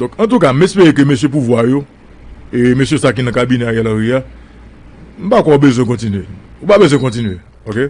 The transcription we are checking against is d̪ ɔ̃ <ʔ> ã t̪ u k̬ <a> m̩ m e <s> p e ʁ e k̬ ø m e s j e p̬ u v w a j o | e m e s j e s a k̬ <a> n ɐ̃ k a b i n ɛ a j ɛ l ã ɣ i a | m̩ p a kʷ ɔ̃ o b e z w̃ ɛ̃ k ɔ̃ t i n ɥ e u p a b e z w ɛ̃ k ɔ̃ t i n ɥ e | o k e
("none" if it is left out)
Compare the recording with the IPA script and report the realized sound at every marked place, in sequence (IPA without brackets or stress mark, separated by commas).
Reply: k, a, s, i